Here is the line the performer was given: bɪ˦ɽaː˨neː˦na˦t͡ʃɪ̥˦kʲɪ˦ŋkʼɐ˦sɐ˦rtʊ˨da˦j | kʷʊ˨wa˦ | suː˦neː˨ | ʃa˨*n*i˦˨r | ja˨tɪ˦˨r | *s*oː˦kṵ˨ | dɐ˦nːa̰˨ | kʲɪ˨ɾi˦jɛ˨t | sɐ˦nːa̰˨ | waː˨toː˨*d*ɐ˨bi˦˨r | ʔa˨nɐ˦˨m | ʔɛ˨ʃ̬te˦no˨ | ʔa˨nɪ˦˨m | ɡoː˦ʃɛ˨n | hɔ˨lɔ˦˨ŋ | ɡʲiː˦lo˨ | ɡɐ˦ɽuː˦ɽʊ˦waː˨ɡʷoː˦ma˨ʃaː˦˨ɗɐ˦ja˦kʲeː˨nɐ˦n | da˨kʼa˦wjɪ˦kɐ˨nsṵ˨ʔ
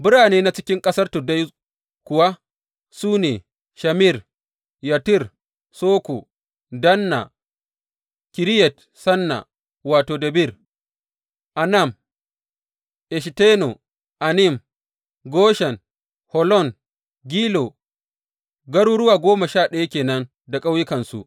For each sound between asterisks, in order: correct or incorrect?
incorrect: m, correct, correct

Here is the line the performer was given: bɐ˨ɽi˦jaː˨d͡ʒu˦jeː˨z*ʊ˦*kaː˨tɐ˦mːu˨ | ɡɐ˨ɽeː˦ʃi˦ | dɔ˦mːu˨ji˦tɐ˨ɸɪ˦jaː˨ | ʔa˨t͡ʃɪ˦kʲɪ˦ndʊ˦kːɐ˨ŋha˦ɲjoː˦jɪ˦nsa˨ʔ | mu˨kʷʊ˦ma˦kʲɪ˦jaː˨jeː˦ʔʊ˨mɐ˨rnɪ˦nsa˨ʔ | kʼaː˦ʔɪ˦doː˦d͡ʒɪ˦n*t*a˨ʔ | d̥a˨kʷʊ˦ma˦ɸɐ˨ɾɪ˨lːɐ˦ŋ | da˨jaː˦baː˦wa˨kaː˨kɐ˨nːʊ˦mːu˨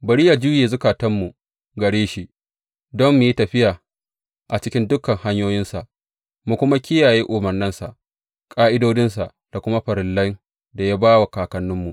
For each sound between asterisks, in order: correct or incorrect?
correct, incorrect: s

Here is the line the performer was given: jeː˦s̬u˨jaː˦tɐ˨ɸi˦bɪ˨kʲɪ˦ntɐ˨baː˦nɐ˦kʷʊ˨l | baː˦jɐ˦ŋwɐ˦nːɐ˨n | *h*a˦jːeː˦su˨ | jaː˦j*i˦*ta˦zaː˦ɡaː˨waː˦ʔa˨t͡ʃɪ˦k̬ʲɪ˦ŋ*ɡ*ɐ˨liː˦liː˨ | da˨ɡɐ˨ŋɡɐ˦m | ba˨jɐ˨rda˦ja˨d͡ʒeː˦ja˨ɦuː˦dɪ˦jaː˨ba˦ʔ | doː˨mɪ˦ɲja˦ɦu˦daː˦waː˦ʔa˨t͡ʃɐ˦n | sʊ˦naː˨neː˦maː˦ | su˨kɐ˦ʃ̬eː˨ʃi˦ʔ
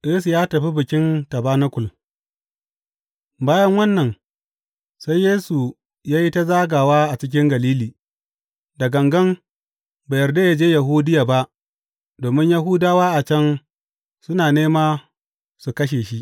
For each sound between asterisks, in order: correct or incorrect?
incorrect: s, correct, correct

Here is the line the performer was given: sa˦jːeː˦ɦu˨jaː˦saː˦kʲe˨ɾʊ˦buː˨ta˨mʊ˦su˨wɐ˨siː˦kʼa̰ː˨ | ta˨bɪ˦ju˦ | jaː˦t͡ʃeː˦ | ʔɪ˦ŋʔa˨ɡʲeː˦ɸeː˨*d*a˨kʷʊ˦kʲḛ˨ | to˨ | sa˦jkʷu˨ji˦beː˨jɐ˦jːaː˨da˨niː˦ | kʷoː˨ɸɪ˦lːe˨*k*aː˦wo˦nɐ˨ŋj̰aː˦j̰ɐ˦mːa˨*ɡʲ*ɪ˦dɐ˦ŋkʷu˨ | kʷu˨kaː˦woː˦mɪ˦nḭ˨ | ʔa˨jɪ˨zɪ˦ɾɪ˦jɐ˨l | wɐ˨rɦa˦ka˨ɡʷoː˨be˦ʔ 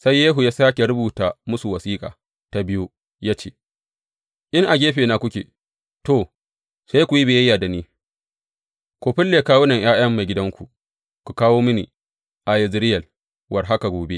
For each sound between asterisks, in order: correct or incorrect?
incorrect: n, correct, correct

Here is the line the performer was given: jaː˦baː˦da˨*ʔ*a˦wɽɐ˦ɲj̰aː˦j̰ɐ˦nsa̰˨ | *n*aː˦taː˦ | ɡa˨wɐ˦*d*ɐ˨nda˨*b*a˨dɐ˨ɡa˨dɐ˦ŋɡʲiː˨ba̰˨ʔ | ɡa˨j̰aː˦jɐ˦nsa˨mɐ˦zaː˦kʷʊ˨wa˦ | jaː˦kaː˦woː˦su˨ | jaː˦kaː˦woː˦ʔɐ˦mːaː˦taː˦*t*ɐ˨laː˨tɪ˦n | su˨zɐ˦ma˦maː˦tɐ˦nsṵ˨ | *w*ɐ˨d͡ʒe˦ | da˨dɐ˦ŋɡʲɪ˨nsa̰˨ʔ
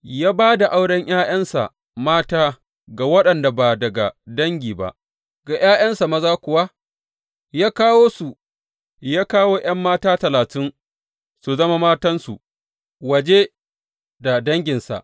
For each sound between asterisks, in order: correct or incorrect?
correct, incorrect: m, incorrect: ɗ, correct, correct, correct

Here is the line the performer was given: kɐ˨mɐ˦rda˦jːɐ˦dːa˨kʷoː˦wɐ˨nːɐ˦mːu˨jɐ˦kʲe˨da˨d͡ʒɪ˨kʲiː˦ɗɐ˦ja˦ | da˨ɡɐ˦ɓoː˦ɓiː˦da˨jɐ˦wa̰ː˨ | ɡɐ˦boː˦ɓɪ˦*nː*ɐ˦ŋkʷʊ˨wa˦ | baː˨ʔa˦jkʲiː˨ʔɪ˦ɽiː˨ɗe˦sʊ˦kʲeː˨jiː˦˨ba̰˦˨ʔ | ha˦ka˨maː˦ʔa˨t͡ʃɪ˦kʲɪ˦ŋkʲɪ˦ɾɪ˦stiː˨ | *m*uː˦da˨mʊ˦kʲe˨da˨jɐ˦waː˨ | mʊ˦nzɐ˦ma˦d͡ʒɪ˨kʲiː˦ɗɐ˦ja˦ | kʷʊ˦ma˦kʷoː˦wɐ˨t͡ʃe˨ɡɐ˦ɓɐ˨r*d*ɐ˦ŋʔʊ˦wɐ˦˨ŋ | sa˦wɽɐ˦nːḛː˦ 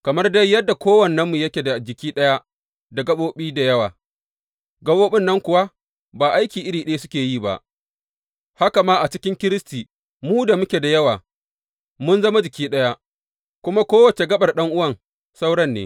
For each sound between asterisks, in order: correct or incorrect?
correct, correct, incorrect: ɗ

